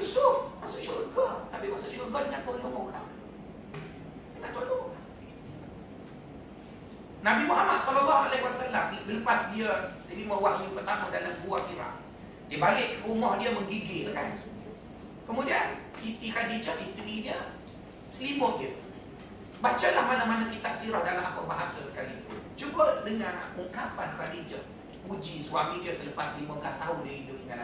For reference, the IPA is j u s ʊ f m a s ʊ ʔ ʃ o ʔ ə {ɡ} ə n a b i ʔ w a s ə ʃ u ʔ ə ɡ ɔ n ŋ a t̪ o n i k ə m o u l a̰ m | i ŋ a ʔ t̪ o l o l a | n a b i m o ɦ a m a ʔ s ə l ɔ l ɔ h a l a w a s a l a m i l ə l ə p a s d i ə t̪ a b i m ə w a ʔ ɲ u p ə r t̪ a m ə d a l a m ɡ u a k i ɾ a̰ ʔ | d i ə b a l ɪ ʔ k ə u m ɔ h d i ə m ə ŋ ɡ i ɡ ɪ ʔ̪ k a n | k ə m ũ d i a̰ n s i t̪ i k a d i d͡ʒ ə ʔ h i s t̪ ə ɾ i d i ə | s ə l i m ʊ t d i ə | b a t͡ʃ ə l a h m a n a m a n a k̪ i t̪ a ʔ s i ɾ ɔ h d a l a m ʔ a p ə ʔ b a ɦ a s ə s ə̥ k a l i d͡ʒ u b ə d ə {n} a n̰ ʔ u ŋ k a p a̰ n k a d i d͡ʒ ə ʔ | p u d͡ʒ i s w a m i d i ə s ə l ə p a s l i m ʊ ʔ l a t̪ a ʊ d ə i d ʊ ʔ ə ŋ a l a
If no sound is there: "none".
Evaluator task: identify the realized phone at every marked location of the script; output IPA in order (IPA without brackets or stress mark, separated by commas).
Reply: ɡ, ŋ